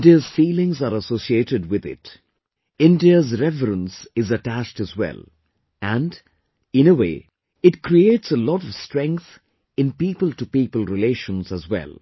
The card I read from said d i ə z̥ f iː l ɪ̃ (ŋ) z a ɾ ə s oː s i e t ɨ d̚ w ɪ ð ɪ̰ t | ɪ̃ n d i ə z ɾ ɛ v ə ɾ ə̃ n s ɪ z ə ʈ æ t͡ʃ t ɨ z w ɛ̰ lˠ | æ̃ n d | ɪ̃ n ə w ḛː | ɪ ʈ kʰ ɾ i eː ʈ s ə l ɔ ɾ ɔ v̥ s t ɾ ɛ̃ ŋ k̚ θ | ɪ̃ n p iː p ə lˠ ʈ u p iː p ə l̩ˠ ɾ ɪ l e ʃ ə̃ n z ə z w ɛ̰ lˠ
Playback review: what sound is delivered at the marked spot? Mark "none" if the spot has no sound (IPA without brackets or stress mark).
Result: ŋ